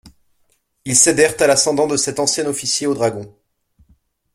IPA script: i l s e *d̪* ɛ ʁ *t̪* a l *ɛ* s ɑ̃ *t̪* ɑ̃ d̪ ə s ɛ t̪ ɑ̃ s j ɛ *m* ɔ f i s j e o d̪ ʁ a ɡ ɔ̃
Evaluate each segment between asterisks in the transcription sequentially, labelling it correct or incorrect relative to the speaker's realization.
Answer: correct, correct, incorrect: a, incorrect: d̪, incorrect: n

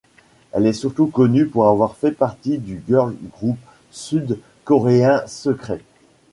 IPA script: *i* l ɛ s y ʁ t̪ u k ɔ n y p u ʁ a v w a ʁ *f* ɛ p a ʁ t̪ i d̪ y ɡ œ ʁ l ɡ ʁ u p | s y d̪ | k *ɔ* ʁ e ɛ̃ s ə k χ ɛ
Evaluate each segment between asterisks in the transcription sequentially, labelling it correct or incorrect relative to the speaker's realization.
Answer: incorrect: ɛ, correct, correct

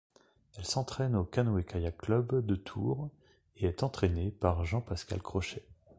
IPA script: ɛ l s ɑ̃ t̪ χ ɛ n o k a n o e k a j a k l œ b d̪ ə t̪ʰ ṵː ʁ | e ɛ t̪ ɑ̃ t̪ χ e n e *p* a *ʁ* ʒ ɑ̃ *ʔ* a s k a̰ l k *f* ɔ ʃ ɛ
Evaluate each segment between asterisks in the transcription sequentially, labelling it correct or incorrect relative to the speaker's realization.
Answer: correct, correct, incorrect: p, incorrect: χ

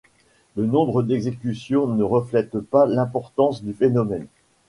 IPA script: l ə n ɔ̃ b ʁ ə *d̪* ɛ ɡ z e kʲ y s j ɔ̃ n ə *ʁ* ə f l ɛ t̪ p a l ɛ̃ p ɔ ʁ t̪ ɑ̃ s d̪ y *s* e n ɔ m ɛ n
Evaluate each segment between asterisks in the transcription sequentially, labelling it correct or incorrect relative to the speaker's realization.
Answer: correct, correct, incorrect: f

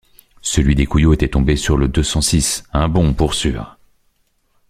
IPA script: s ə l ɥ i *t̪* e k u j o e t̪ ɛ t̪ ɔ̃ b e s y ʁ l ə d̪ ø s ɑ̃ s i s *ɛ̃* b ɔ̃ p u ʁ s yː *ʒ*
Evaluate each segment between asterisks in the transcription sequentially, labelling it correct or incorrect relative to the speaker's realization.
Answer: incorrect: d̪, correct, incorrect: ʁ

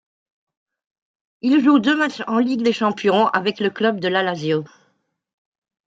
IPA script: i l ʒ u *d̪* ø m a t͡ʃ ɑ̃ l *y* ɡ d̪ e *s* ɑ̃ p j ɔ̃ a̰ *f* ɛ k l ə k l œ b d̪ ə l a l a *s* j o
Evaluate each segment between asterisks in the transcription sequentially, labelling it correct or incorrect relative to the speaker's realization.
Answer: correct, incorrect: i, incorrect: ʃ, incorrect: v, incorrect: z

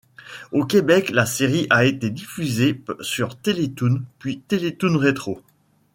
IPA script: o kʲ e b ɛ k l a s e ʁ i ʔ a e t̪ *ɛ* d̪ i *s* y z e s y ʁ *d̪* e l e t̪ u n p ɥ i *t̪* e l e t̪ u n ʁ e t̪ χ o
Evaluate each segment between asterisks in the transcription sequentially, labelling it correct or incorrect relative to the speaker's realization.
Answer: incorrect: e, incorrect: f, incorrect: t̪, correct

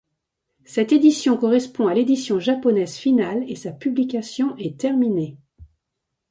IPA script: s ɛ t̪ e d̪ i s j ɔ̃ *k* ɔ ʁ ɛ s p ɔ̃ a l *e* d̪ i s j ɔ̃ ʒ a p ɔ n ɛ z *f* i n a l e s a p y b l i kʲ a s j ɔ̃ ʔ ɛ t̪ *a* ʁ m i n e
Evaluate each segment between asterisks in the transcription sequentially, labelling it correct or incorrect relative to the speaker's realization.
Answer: correct, correct, correct, incorrect: ɛ

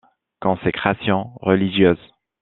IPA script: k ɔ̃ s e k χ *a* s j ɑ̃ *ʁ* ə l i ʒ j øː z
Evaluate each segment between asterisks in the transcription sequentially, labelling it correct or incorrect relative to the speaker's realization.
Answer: correct, correct

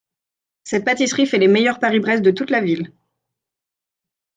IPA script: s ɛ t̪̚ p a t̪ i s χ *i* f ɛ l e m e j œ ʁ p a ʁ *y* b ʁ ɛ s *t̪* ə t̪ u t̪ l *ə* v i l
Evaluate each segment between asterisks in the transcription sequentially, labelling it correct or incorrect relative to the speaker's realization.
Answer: correct, incorrect: i, incorrect: d̪, incorrect: a

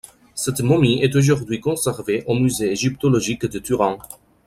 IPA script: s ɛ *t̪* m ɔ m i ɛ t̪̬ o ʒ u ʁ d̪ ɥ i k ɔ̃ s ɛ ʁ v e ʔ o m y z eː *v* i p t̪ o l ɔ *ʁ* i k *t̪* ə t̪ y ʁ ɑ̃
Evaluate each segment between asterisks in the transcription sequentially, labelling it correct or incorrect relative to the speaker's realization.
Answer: correct, incorrect: ʒ, incorrect: ʒ, incorrect: d̪

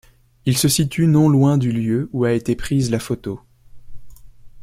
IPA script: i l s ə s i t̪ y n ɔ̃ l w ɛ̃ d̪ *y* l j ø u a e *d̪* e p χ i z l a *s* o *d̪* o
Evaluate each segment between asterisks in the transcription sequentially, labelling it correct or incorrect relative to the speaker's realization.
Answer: correct, incorrect: t̪, incorrect: f, incorrect: t̪

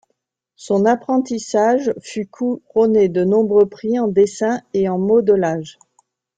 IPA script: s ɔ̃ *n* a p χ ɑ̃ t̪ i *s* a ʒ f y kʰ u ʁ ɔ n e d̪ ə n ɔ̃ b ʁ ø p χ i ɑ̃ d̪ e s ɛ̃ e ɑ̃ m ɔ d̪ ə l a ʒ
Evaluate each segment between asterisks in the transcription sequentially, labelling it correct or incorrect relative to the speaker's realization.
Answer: correct, correct

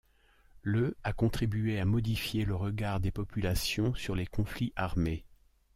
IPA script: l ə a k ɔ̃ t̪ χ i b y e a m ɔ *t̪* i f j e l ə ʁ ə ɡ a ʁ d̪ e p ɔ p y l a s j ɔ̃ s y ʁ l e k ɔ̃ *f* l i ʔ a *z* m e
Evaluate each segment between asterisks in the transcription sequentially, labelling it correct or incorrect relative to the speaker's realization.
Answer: incorrect: d̪, correct, incorrect: ʁ

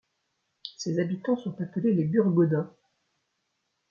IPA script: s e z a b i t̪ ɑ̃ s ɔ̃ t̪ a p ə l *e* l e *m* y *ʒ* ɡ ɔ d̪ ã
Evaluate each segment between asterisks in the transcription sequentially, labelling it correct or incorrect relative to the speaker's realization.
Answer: correct, incorrect: b, incorrect: ʁ

